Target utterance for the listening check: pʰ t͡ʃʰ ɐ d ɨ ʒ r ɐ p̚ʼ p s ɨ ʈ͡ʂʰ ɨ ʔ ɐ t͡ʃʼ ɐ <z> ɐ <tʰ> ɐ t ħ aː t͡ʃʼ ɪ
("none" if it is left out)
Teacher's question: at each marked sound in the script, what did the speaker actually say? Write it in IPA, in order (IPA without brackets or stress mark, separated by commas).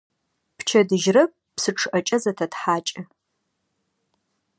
z, tʰ